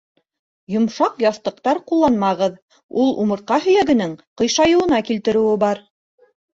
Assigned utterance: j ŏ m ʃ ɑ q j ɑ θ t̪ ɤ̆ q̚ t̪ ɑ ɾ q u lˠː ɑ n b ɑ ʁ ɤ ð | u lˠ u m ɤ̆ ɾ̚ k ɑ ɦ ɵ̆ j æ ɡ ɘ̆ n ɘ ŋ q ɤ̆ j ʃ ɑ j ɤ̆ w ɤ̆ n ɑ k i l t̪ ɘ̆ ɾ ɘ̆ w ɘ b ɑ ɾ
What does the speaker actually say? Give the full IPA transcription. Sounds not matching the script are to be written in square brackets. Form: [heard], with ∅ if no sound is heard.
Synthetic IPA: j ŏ m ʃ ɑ q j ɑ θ t̪ ɤ̆ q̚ t̪ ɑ ɾ q u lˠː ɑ n [m] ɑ ʁ ɤ ð | u lˠ u m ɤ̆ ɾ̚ [q] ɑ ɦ ɵ̆ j æ ɡ ɘ̆ n ɘ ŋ q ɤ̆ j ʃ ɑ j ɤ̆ w ɤ̆ n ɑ k i l t̪ ɘ̆ ɾ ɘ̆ w ɘ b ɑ ɾ